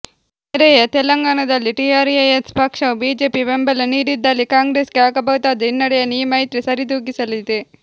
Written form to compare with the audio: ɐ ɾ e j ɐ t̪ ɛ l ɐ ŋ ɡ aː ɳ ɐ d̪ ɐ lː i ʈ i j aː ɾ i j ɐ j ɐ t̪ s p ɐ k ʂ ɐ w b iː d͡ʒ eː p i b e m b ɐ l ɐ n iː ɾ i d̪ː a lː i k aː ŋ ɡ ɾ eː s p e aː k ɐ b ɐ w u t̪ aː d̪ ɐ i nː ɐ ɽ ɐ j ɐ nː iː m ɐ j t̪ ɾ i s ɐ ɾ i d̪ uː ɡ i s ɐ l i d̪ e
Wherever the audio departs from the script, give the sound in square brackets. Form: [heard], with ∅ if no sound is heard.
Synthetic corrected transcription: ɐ ɾ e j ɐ t̪ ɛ l ɐ ŋ ɡ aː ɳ ɐ d̪ ɐ lː i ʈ i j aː ɾ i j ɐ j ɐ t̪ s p ɐ k ʂ ɐ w b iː d͡ʒ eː p i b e m b ɐ l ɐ n iː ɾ i d̪ː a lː i k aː ŋ ɡ ɾ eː s [k] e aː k ɐ b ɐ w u t̪ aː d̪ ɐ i nː ɐ ɽ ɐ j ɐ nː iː m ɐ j t̪ ɾ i s ɐ ɾ i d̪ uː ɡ i s ɐ l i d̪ e

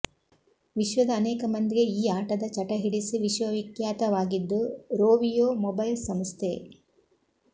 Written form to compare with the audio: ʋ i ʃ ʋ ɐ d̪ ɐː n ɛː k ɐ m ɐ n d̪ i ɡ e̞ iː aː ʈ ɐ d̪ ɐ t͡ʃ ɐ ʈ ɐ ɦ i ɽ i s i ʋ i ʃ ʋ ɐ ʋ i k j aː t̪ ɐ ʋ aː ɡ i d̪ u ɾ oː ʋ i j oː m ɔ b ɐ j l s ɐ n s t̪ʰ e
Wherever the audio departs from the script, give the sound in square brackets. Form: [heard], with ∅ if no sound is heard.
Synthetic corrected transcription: ʋ i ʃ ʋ ɐ d̪ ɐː n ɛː k ɐ m ɐ n d̪ i ɡ e̞ iː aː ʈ ɐ d̪ ɐ t͡ʃ ɐ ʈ ɐ ɦ i ɽ i s i ʋ i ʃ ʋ ɐ ʋ i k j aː t̪ ɐ ʋ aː ɡ i [d̪ː] u ɾ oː ʋ i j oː m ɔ b ɐ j l s ɐ [m] s t̪ʰ e

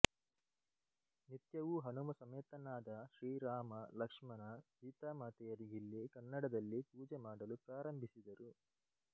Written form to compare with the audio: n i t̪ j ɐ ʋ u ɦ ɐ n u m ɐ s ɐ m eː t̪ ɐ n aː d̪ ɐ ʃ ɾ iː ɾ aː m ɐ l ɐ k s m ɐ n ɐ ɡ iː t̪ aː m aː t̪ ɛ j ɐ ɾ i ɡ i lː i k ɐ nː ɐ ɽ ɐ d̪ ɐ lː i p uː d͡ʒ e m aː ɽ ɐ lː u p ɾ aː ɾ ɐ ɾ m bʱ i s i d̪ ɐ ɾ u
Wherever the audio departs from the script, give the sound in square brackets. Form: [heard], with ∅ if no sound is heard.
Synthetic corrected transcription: n i t̪ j ɐ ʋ u ɦ ɐ n u m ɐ s ɐ m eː t̪ ɐ n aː d̪ ɐ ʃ ɾ iː ɾ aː m ɐ l ɐ k [ʂ] m ɐ n ɐ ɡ iː t̪ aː m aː t̪ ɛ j ɐ ɾ i ɡ i lː i k ɐ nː ɐ ɽ ɐ d̪ ɐ lː i p uː d͡ʒ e m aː ɽ ɐ [l] u p ɾ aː ɾ ɐ [∅] m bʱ i s i d̪ ɐ ɾ u

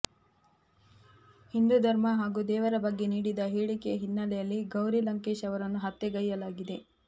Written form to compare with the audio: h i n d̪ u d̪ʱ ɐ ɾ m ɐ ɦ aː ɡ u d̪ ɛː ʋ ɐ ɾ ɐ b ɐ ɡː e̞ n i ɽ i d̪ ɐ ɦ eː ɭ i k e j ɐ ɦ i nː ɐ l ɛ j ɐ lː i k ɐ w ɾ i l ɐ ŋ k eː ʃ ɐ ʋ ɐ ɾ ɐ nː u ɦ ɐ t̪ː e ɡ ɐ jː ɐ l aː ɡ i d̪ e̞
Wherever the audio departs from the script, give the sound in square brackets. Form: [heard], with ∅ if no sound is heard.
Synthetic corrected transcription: h i n d̪ u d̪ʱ ɐ ɾ m ɐ ɦ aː ɡ u d̪ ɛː ʋ ɐ ɾ ɐ b ɐ ɡː e̞ n [iː] ɽ i d̪ ɐ ɦ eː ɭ i k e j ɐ ɦ i nː ɐ l ɛ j ɐ lː i [ɡ] ɐ w ɾ i l ɐ ŋ k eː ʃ ɐ ʋ ɐ ɾ ɐ nː u ɦ ɐ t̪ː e ɡ ɐ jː ɐ l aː ɡ i d̪ e̞

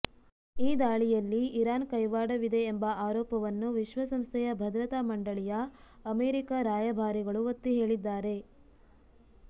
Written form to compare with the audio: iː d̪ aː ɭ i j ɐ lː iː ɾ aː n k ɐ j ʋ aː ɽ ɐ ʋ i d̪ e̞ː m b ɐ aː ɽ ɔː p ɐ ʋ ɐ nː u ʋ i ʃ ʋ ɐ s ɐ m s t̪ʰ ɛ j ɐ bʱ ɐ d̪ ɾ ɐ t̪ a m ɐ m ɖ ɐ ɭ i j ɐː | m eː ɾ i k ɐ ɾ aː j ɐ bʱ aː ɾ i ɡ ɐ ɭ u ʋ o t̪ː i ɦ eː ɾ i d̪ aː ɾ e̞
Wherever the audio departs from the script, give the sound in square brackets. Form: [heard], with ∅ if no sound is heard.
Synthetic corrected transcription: iː d̪ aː ɭ i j ɐ lː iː ɾ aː n k ɐ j ʋ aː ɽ ɐ ʋ i d̪ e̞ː m b ɐ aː [ɾ] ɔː p ɐ ʋ ɐ nː u ʋ i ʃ ʋ ɐ s ɐ m s t̪ʰ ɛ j ɐ bʱ ɐ d̪ ɾ ɐ t̪ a m ɐ [ɳ] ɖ ɐ ɭ i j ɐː | m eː ɾ i k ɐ ɾ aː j ɐ bʱ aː ɾ i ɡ ɐ ɭ u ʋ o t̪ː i ɦ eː [ɭ] i [d̪ː] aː ɾ e̞

